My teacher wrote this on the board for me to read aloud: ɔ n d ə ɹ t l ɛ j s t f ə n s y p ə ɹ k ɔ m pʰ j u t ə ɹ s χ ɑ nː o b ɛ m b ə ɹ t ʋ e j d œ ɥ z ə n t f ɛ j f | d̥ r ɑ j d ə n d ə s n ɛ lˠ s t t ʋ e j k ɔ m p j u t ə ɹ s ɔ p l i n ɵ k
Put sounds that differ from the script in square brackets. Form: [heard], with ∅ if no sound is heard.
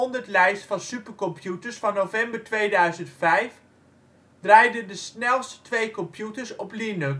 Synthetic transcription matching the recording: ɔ n d ə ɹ t l ɛ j s t f [ɑ] n s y p ə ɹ k ɔ m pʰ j u t ə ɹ s [f] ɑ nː o [v] ɛ m b ə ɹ t ʋ e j d œ ɥ z ə n t f ɛ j f | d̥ r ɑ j d ə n d ə s n ɛ lˠ s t t ʋ e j k ɔ m p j u t ə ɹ s ɔ p l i n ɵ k